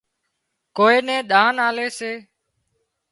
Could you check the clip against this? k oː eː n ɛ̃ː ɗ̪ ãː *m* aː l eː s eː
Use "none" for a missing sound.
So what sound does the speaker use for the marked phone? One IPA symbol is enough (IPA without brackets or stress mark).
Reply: n